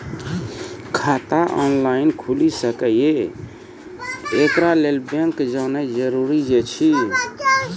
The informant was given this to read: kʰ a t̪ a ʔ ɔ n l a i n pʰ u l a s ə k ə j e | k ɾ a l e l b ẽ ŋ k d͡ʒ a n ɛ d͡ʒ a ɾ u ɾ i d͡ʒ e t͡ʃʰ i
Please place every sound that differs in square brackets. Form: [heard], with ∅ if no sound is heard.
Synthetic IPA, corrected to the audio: kʰ a t̪ a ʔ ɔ n l a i n [kʰ] u l [i] s ə k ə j e | k ɾ a l e l b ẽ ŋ k d͡ʒ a n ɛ d͡ʒ [ə] ɾ u ɾ i d͡ʒ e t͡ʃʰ i